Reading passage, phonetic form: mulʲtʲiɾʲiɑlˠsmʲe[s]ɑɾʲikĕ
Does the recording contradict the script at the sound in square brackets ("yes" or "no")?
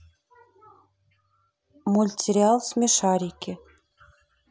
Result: yes